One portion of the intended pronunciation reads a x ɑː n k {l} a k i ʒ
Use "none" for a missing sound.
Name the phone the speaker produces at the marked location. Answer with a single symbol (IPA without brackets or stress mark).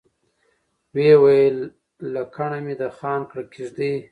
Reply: ɽ